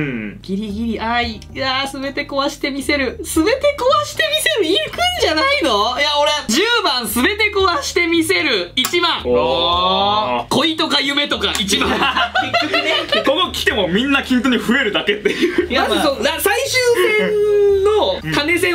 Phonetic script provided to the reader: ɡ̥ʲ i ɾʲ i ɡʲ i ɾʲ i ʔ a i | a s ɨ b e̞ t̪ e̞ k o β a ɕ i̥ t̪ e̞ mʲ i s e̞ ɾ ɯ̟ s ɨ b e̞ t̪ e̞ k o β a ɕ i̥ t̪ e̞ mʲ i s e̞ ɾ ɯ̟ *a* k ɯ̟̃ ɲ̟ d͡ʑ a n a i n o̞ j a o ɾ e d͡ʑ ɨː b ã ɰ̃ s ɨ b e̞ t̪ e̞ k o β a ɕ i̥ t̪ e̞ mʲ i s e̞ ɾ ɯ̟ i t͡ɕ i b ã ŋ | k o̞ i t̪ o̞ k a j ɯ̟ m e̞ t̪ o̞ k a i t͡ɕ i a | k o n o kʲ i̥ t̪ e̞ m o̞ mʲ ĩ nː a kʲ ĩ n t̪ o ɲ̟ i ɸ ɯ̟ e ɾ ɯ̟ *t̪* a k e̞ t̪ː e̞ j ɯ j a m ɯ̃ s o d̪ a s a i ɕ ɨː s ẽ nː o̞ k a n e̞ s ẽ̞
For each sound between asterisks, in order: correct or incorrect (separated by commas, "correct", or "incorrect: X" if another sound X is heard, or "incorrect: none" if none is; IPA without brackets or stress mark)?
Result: incorrect: i, incorrect: d̪